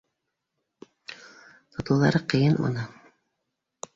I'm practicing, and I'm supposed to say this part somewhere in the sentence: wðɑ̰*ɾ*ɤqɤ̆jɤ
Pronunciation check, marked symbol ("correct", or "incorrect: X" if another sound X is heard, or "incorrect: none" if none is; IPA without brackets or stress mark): correct